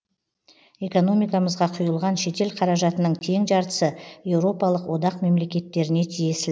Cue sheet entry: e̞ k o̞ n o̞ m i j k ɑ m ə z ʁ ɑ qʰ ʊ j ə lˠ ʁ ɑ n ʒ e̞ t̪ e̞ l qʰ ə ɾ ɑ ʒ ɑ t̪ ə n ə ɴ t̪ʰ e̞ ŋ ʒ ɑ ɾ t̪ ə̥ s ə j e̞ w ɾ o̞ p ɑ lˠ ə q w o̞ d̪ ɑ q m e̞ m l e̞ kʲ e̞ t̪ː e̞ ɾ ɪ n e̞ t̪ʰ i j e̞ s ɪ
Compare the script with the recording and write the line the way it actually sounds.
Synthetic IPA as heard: e̞ k o̞ n o̞ m i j k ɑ m ə z ʁ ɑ qʰ ʊ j ə lˠ ʁ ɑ n ʃ e̞ t̪ e̞ l qʰ ɑ ɾ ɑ ʒ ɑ t̪ ə n ə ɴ t̪ʰ e̞ ŋ ʒ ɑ ɾ t̪ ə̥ s ə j e̞ w ɾ o̞ p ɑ lˠ ə q w o̞ d̪ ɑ q m e̞ m l e̞ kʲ e̞ t̪ː e̞ ɾ ɪ n e̞ t̪ʰ i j e̞ s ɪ